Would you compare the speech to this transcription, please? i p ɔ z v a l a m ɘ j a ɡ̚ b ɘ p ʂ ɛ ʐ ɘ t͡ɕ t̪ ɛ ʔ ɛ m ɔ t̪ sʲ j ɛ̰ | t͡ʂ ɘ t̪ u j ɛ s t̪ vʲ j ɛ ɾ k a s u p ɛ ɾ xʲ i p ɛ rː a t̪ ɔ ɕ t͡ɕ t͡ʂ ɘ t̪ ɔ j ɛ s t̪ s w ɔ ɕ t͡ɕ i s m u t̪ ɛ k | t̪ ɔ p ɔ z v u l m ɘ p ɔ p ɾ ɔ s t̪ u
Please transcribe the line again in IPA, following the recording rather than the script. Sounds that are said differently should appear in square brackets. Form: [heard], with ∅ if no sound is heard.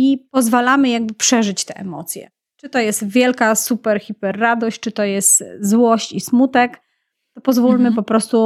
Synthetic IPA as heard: i p ɔ z v a l a m ɘ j a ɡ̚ b ɘ p ʂ ɛ ʐ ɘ t͡ɕ t̪ ɛ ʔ ɛ m ɔ t̪ sʲ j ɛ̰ | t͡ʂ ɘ t̪ [ɔ] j ɛ s t̪ vʲ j ɛ [l] k a s u p ɛ ɾ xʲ i p ɛ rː a [d̪] ɔ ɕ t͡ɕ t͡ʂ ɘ t̪ ɔ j ɛ s t̪ [z] w ɔ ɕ t͡ɕ i s m u t̪ ɛ k | t̪ ɔ p ɔ z v u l m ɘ p ɔ p ɾ ɔ s t̪ u